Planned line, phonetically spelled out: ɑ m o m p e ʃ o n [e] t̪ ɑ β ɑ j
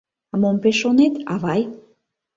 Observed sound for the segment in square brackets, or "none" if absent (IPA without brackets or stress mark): e